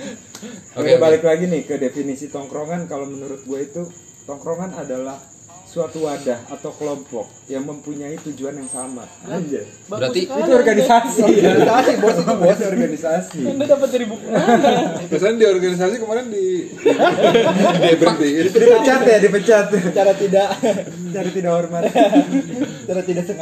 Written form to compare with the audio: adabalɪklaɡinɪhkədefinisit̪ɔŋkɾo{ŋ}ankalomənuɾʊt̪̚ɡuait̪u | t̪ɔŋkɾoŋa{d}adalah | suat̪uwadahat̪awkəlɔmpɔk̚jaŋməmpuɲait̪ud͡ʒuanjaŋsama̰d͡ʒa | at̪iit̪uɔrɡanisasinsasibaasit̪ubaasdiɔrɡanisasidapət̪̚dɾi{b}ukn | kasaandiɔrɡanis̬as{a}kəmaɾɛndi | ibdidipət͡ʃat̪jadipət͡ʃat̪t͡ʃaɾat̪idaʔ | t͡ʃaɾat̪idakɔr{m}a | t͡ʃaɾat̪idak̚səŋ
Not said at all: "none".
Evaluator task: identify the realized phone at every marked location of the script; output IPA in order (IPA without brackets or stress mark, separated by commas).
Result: ŋ, n, b, i, m